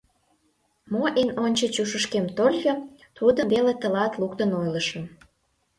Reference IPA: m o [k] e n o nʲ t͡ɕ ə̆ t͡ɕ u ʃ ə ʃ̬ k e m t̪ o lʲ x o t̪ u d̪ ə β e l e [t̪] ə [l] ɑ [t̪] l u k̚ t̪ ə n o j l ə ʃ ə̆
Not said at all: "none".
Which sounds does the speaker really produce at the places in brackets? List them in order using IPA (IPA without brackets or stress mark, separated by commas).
ʔ, t̪, l, t̪